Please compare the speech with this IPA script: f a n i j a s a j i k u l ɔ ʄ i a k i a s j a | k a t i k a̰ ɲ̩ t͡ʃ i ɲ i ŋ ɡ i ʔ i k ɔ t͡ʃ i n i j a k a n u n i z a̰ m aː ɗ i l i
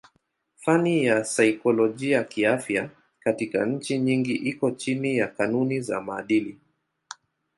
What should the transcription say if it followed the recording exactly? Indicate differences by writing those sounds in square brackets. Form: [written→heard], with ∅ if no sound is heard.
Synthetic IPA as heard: f a n i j a s a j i k [u→ɔ] l ɔ ʄ i a k i a [s→f] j a | k a t i k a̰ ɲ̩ t͡ʃ i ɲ i ŋ ɡ i ʔ i k ɔ t͡ʃ i n i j a k a n u n i z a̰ m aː ɗ i l i